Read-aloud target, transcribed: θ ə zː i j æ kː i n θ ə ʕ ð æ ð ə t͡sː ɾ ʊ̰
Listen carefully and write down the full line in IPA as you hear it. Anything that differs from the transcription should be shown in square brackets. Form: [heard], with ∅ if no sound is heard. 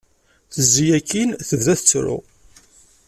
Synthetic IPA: θ ə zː i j æ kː i n θ ə [v] ð æ [θ] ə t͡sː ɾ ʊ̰